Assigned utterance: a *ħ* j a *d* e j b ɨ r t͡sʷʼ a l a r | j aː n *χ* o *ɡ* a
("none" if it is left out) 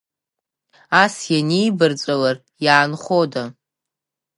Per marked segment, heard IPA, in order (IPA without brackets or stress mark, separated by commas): s, n, χ, d